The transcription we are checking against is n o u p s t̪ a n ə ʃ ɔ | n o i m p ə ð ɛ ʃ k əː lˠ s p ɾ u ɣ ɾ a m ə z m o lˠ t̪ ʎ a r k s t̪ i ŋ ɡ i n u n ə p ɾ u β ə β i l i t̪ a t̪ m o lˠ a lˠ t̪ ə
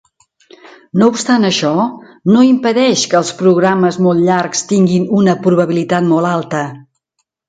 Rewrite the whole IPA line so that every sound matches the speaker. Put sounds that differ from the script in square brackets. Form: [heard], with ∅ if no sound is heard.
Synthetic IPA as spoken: n o u p s t̪ a n ə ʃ ɔ | n o i m p ə ð ɛ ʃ k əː lˠ s p ɾ u ɣ ɾ a m ə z m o lˠ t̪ ʎ a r k s t̪ i ŋ ɡ i n u n ə p ɾ u β ə β i l i t̪ a t̪ m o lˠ a lˠ t̪ ə